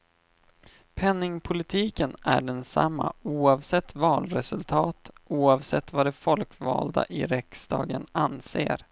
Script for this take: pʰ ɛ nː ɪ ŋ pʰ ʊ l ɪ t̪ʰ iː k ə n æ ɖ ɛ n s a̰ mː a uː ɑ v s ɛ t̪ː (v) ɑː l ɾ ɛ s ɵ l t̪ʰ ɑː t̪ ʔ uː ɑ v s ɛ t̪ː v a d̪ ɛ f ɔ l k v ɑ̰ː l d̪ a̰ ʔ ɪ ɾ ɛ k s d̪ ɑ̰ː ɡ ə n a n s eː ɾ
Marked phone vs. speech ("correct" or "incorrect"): correct